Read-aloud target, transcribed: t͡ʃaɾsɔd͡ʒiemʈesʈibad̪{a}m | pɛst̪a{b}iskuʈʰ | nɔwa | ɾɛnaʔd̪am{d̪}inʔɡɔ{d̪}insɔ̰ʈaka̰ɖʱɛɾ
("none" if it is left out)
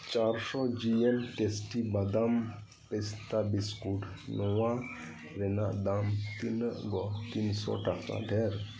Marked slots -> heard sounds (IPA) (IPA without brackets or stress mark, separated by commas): a, b, t̪, t̪